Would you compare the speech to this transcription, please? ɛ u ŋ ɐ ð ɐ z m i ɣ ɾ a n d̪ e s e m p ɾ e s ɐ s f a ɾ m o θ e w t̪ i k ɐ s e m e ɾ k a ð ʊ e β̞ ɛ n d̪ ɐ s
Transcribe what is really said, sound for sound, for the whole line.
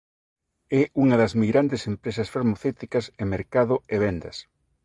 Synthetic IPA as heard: ɛ u ŋ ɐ ð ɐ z m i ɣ ɾ a n d̪ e s e m p ɾ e s ɐ s f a ɾ m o θ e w t̪ i k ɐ s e m e ɾ k a ð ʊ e β̞ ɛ n d̪ ɐ s